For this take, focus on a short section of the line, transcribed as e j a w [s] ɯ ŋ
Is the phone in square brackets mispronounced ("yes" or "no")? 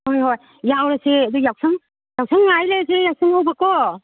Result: no